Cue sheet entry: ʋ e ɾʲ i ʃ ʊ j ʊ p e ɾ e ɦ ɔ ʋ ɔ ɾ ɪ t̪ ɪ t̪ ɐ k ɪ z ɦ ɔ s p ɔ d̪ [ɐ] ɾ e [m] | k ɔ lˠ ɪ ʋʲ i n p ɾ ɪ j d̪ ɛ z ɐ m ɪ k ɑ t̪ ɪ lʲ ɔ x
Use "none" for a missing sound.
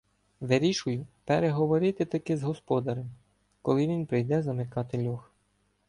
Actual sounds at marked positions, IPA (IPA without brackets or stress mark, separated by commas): ɐ, m